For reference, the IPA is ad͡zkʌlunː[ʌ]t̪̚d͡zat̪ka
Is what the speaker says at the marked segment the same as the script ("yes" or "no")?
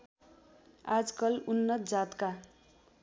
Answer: yes